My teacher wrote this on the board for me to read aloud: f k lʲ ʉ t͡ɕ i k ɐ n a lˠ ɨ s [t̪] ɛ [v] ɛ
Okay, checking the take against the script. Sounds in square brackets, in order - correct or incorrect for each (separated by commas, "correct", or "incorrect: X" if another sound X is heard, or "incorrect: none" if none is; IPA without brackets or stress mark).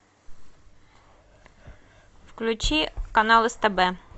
correct, incorrect: b